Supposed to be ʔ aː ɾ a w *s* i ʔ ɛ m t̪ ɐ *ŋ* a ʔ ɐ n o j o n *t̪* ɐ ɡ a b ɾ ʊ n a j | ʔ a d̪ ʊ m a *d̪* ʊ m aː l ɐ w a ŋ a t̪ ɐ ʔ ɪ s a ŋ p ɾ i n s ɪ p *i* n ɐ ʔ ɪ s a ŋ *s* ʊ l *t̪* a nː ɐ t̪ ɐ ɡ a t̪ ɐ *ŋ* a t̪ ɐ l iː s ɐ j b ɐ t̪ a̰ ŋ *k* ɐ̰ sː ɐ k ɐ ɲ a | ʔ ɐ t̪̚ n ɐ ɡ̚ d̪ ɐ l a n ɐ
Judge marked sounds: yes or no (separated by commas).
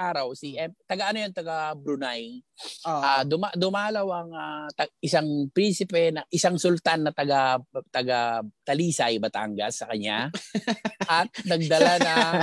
yes, no, yes, yes, no, yes, yes, no, no